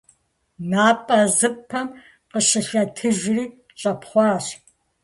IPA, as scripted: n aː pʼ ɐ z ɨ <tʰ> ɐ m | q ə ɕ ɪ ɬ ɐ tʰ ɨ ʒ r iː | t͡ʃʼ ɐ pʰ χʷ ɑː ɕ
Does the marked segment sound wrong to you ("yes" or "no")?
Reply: yes